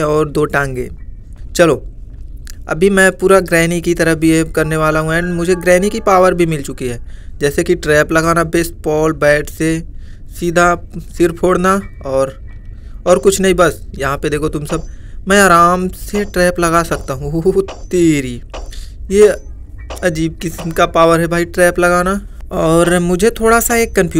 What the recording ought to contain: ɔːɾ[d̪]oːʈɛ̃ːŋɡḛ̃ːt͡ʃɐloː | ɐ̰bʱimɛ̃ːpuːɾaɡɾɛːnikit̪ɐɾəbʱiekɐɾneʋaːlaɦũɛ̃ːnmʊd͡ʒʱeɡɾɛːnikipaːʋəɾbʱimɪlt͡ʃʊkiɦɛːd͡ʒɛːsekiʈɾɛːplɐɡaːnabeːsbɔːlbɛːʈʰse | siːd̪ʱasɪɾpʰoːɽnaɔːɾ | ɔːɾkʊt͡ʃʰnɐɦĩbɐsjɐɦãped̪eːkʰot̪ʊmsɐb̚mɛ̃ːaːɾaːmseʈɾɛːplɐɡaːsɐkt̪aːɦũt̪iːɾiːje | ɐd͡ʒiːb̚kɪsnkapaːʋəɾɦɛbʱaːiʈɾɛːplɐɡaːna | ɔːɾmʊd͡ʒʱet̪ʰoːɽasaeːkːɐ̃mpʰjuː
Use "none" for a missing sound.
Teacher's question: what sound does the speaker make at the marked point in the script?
d̪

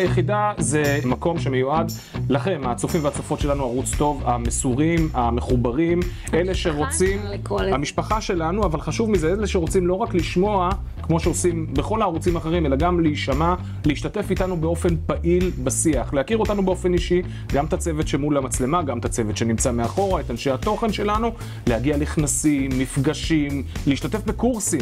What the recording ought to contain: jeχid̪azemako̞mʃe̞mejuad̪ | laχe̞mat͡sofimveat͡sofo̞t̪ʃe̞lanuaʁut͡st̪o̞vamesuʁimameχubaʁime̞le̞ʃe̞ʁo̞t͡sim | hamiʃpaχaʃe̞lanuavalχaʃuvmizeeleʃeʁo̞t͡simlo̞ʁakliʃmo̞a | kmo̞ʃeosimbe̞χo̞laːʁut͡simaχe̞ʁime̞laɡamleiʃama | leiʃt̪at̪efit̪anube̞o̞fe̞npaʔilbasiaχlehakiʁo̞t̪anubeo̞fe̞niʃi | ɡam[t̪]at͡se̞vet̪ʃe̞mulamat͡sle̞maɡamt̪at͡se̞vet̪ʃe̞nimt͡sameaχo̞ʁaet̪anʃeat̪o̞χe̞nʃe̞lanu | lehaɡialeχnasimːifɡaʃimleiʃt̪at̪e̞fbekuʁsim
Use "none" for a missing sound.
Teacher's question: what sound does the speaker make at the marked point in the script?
t̪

